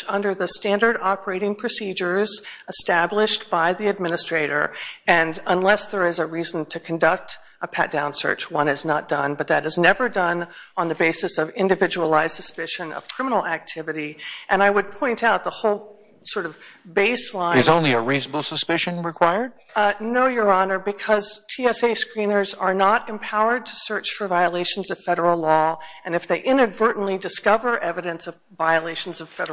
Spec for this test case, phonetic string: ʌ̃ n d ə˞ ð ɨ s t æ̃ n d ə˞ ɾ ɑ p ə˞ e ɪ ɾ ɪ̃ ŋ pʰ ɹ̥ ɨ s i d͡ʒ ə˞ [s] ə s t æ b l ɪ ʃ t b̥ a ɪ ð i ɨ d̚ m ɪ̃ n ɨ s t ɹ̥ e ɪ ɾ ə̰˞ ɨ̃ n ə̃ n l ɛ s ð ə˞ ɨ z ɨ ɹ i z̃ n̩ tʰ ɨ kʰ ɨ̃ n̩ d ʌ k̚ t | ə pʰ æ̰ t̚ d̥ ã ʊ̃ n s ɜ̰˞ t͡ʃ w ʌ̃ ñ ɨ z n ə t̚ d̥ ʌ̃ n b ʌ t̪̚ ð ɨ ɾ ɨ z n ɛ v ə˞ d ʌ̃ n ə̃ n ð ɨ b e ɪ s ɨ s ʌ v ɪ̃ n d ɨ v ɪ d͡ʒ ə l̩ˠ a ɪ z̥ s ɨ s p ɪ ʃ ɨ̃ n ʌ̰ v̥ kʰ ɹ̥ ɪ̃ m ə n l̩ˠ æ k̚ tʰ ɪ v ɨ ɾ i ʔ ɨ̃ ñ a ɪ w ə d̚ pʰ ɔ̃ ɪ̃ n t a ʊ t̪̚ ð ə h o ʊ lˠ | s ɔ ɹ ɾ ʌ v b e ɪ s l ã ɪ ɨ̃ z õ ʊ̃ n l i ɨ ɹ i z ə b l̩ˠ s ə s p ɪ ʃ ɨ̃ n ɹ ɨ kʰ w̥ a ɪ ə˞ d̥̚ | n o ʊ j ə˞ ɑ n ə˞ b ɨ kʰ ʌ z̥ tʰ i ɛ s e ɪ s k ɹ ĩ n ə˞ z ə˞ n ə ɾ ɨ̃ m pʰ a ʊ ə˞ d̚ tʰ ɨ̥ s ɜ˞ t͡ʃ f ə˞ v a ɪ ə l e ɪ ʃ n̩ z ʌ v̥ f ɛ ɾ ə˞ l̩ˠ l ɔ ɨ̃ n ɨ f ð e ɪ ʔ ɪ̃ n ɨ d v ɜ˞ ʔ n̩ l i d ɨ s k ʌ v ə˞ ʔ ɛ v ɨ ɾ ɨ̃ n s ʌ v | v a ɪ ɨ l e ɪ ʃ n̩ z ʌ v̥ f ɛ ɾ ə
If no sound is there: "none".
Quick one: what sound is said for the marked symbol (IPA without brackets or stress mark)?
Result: z